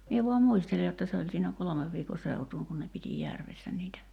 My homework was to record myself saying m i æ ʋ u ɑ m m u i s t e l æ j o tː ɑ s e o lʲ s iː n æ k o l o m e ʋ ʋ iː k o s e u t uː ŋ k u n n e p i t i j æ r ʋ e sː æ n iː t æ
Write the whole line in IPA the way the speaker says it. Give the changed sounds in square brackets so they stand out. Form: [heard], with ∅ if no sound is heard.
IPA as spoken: m i [e] ʋ u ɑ m m u i s t e l [e] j o tː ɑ s e o lʲ s iː n æ k o l o m e ʋ ʋ iː k o s e u t uː ŋ k u n n e p i t i j æ r ʋ e sː æ n iː t æ

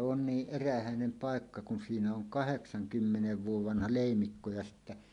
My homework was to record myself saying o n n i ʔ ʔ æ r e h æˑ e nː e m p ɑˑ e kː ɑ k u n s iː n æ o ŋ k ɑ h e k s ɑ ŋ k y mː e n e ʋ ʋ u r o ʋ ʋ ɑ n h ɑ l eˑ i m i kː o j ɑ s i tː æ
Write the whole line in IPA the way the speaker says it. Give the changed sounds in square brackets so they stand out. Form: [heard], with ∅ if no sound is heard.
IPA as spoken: o n n [iː] ʔ ʔ [e] r [æ] h æˑ e [n] e m p ɑˑ e kː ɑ k u n s iː n æ o ŋ k ɑ h e k s ɑ ŋ k y mː e n e ʋ ʋ u [∅] o ʋ ʋ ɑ n h ɑ l eˑ i m i kː o j ɑ s i tː æ

